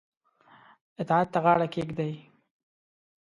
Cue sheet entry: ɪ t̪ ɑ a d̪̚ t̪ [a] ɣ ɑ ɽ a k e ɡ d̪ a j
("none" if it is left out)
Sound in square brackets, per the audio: a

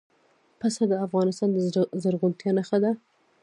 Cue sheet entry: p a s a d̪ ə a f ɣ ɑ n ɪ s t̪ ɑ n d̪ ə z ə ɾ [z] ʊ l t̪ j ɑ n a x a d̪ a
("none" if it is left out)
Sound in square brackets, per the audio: ɣ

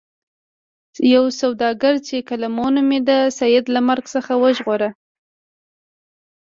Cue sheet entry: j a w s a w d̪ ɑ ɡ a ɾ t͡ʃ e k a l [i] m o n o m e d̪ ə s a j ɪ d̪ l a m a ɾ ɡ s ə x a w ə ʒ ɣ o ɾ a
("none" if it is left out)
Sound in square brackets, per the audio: a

